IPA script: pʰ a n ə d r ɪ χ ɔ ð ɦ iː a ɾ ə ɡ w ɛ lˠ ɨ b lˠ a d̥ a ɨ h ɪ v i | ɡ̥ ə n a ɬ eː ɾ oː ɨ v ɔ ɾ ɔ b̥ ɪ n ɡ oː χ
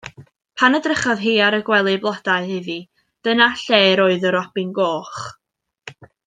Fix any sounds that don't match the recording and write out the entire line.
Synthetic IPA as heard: pʰ a n ə d r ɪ χ ɔ ð ɦ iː a ɾ ə ɡ w ɛ lˠ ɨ b lˠ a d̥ a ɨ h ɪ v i | d̥ ə n a ɬ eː ɾ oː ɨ ð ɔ ɾ ɔ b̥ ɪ n ɡ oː χ